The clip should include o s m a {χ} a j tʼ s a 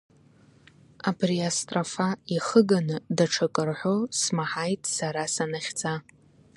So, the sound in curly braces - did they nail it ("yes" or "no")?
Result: no